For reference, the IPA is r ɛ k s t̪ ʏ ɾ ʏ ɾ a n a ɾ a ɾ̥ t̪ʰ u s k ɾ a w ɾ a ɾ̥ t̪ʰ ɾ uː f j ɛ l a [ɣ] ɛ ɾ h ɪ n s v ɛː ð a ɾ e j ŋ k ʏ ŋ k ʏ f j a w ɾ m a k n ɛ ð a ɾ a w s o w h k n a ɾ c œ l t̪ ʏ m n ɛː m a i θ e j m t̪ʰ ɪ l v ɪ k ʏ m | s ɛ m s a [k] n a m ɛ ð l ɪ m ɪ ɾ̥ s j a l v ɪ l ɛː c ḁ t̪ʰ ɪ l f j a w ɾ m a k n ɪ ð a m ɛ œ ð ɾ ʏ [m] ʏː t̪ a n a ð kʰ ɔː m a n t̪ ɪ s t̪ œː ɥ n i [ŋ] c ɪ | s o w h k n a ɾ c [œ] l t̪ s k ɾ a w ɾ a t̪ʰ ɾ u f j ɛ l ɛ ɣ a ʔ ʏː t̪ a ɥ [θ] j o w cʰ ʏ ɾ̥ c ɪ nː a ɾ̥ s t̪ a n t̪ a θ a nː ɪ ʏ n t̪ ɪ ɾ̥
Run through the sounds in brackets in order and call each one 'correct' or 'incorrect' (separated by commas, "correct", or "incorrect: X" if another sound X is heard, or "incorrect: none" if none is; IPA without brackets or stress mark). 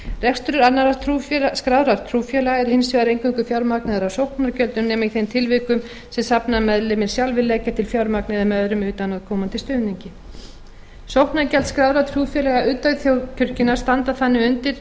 correct, incorrect: p, correct, incorrect: ɲ, incorrect: ɛ, correct